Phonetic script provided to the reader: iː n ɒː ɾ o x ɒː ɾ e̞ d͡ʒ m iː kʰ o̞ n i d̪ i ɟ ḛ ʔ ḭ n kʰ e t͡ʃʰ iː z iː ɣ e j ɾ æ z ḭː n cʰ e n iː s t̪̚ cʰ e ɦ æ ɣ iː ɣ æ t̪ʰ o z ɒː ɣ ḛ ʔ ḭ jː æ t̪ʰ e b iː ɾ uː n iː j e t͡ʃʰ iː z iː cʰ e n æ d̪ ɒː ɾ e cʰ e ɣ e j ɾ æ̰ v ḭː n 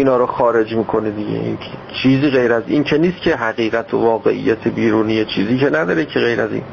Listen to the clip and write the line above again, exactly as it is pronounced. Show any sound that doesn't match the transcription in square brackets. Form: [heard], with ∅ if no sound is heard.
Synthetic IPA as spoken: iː n ɒː ɾ o x ɒː ɾ e̞ d͡ʒ m iː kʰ o̞ n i d̪ i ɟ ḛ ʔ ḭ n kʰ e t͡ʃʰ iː z iː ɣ e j ɾ æ z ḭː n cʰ e n iː s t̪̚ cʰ e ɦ æ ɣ iː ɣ æ t̪ʰ o [v] ɒː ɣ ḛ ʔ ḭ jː æ t̪ʰ e b iː ɾ uː n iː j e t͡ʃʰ iː z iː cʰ e n æ d̪ ɒː ɾ e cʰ e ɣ e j ɾ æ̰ [z] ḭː n